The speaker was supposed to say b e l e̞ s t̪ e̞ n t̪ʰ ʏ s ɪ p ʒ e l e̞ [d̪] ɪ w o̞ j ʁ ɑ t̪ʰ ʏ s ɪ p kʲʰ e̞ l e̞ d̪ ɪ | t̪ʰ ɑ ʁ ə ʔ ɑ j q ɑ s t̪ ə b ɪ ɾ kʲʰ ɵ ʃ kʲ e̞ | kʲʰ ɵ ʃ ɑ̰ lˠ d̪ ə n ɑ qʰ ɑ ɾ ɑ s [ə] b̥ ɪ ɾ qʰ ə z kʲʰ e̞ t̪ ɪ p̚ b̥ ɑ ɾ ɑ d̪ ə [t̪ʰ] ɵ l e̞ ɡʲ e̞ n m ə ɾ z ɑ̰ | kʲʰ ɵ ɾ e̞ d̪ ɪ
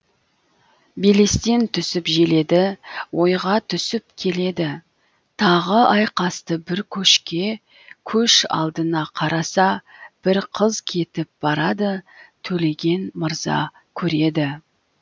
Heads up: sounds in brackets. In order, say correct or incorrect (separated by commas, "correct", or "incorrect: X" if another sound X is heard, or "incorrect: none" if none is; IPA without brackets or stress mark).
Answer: correct, incorrect: ɑ, correct